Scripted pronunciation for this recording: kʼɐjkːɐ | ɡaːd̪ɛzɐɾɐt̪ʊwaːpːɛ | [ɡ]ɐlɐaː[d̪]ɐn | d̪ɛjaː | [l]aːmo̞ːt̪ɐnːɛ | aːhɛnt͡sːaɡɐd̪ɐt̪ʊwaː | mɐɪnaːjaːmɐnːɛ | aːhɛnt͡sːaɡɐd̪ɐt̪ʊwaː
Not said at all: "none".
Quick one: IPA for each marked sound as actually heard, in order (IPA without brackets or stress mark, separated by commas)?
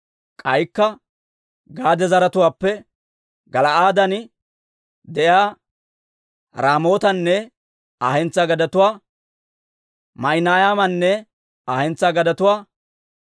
ɡ, d̪, ɾ